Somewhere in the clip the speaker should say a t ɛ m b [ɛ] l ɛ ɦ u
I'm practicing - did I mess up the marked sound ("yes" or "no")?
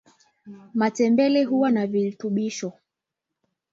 no